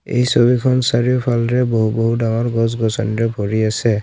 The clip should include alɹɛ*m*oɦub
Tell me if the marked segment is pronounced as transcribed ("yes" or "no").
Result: no